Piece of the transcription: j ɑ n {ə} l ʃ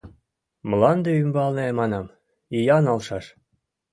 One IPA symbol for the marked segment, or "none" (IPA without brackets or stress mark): ɑ